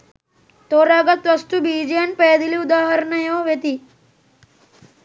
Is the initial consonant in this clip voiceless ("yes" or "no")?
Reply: yes